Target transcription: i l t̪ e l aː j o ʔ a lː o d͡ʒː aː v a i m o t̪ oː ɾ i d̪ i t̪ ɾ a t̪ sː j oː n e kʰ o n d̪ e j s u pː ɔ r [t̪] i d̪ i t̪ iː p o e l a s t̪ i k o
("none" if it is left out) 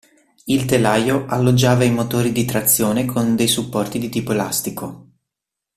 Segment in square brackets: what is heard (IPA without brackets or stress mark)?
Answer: t̪